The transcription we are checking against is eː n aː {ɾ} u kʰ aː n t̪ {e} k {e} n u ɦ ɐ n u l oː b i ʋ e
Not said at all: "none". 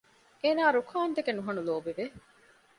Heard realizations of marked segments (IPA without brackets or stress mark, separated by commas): ɾ, e, e